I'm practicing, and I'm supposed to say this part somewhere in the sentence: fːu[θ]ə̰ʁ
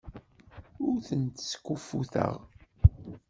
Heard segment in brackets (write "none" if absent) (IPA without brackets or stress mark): θ